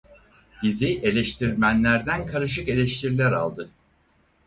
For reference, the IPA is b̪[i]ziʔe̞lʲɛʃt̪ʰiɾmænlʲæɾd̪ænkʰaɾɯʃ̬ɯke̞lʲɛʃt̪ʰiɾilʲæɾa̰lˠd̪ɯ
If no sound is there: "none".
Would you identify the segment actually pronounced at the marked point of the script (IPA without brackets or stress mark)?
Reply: i